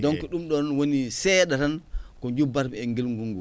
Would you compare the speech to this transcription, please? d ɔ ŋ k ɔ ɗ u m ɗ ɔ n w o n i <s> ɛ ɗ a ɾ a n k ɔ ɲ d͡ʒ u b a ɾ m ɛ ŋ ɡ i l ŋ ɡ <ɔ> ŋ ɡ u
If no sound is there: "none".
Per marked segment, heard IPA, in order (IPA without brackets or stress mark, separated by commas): s, u